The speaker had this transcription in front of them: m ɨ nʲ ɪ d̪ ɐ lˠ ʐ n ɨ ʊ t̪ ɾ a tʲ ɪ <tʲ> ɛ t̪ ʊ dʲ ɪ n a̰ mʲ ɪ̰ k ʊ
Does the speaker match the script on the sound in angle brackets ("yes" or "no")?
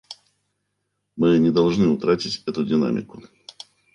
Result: yes